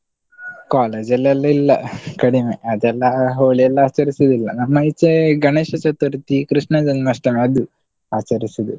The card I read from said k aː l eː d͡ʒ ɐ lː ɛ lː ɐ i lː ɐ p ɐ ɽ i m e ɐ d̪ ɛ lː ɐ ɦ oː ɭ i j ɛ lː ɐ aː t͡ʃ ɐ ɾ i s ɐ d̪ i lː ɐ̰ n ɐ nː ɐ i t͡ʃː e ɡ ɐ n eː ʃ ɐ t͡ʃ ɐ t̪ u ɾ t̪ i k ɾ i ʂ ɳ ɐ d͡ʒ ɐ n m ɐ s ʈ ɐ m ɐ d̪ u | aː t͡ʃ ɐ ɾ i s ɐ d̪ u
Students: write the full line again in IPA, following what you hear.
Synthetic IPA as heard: k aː l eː d͡ʒ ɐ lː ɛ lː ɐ i lː ɐ k ɐ ɽ i m e ɐ d̪ ɛ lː ɐ ɦ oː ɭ i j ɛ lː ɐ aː t͡ʃ ɐ ɾ i s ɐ d̪ i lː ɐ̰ n ɐ mː ɐ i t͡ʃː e ɡ ɐ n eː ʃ ɐ t͡ʃ ɐ t̪ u ɾ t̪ i k ɾ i ʂ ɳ ɐ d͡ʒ ɐ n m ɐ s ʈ ɐ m ɐ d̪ u | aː t͡ʃ ɐ ɾ i s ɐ d̪ u

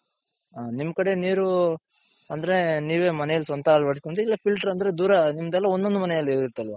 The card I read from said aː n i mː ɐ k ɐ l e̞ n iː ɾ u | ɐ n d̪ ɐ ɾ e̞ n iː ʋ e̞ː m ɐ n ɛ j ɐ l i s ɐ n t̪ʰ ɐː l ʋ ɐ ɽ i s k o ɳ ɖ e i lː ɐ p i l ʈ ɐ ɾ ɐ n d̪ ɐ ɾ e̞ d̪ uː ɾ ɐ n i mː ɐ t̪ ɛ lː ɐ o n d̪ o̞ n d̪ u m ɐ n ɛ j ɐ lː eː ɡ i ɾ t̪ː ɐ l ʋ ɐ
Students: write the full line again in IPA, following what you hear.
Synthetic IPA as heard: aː n i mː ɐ k ɐ ɽ e̞ n iː ɾ u | ɐ n d̪ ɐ ɾ e̞ n iː ʋ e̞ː m ɐ n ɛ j ɐ l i s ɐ n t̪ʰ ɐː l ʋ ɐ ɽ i s k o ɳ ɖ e i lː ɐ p i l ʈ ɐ ɾ ɐ n d̪ ɐ ɾ e̞ d̪ uː ɾ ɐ n i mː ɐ d̪ ɛ lː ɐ o n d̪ o̞ n d̪ u m ɐ n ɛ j ɐ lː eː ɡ i ɾ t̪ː ɐ l ʋ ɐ

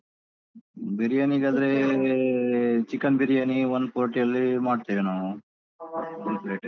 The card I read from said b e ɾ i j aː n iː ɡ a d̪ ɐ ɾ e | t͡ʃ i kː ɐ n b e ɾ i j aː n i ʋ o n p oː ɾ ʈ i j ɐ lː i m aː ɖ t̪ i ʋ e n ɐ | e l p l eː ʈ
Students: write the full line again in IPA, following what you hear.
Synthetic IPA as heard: b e ɾ i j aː n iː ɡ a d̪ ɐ ɾ e | t͡ʃ i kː ɐ n b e ɾ i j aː n i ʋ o n p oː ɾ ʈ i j ɐ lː i m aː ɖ t̪ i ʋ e n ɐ | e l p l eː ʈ

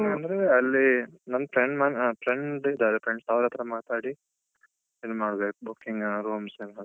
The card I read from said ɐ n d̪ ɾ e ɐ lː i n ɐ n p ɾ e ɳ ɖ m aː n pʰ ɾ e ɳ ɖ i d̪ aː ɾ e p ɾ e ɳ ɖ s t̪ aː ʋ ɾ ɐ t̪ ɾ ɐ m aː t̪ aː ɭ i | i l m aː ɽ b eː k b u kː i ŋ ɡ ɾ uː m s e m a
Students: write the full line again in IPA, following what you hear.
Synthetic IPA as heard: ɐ n d̪ ɾ e ɐ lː i n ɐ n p ɾ e ɳ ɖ m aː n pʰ ɾ e ɳ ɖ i d̪ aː ɾ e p ɾ e ɳ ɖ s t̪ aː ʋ ɾ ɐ t̪ ɾ ɐ m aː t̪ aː ɽ i | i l m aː ɽ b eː k b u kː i ŋ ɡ ɾ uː m s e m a

